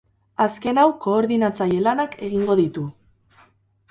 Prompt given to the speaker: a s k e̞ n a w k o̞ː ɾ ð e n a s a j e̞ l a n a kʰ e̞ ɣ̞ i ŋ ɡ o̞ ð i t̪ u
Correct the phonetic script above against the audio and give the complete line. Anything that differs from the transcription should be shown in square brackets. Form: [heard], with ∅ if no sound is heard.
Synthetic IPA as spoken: a s k e̞ n a w k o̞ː ɾ ð [i] n a [t͡s] a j e̞ l a n a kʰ e̞ ɣ̞ i ŋ ɡ o̞ ð i t̪ u